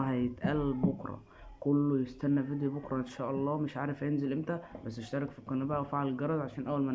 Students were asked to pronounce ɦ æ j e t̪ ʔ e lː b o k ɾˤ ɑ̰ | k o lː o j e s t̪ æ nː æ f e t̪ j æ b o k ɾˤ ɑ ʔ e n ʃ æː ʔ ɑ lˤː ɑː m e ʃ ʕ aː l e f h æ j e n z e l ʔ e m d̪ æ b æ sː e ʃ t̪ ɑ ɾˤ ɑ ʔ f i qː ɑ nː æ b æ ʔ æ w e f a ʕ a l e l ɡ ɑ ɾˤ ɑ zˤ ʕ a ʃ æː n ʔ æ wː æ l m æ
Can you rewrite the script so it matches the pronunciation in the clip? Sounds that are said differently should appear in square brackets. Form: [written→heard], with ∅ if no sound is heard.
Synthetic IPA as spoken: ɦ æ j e t̪ ʔ [e→æ] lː b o k ɾˤ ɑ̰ | k o lː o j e s t̪ æ nː æ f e [t̪→d̪] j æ b o k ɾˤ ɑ ʔ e n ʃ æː ʔ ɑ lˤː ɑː m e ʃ ʕ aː [l→ɾ] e f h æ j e n z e l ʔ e m [d̪→t̪] æ b æ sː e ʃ t̪ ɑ ɾˤ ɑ [ʔ→k] f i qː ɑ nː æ b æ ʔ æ w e f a ʕ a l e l ɡ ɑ ɾˤ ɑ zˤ ʕ a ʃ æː n ʔ æ wː æ l m æ